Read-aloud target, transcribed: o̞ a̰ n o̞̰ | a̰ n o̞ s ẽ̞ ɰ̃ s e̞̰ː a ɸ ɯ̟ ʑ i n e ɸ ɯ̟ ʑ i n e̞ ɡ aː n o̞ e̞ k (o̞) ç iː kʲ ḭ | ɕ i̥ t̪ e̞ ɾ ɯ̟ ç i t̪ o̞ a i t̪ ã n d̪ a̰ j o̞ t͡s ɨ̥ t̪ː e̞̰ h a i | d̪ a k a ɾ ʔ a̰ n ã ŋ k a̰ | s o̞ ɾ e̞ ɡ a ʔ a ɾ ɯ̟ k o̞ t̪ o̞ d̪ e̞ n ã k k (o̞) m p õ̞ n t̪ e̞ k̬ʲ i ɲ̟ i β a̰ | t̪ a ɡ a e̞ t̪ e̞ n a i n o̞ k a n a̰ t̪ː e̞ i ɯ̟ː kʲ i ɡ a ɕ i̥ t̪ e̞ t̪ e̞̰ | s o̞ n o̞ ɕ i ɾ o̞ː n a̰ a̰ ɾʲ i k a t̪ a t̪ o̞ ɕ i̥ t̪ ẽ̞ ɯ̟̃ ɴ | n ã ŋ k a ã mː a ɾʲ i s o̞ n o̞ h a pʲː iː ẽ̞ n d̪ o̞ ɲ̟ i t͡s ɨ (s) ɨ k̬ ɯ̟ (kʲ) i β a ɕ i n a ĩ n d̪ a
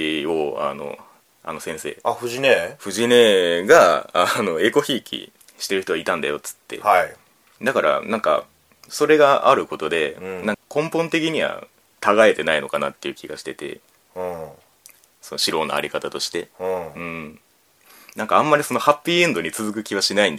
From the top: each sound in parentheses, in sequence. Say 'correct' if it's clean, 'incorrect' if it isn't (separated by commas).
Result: correct, incorrect, incorrect, correct